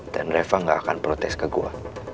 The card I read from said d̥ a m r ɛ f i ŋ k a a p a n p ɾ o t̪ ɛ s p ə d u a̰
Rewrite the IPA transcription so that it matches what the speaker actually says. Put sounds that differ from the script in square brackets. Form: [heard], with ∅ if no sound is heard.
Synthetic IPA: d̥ a [n] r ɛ f [a] ŋ [ɡ] a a [k] a n p ɾ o t̪ ɛ s [k] ə [ɡ] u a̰